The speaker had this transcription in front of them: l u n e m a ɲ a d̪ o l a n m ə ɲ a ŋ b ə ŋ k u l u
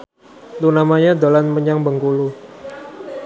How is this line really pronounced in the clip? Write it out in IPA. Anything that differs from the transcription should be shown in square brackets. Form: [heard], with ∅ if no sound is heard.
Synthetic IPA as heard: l u n [a] m a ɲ a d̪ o l a n m ə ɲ a ŋ b ə ŋ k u l u